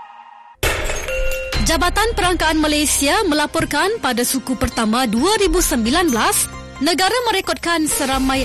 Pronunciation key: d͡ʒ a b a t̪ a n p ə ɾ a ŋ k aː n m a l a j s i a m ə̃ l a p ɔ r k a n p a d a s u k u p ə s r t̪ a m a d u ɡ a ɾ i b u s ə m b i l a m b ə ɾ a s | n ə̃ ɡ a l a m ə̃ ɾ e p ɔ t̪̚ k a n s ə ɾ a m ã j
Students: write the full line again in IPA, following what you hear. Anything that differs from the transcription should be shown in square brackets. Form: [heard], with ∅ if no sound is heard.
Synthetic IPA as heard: d͡ʒ a b a t̪ a n p ə ɾ a ŋ k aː n m a l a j s i a m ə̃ l a p ɔ r k a n p a d a s u k u p ə [∅] r t̪ a m a d u [∅] a ɾ i b u s ə m b i l a [n] b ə [l] a s | n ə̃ ɡ a [ɾ] a m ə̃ ɾ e [k] ɔ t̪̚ k a n s ə ɾ a m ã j